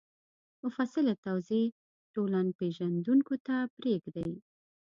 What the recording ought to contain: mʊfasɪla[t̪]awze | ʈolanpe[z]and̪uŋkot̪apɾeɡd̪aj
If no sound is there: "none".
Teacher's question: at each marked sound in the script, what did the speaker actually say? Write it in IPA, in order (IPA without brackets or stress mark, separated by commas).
t̪, ʒ